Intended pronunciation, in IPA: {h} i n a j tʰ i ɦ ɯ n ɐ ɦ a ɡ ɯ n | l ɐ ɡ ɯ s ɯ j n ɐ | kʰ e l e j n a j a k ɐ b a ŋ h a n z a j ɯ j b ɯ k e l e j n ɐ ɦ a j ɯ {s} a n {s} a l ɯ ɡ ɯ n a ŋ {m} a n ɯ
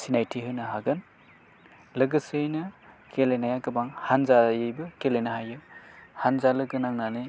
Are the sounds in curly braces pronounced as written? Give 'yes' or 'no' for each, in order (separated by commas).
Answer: no, no, no, no